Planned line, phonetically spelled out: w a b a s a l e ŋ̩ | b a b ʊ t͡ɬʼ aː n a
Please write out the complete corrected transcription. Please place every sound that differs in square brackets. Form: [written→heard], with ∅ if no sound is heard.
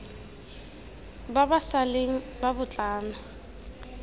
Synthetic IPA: [w→b] a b a s a l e ŋ̩ | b a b ʊ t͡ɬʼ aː n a